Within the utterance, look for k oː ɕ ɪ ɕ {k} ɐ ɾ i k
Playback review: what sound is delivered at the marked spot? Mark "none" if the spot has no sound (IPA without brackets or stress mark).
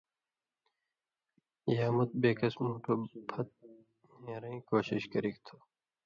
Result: k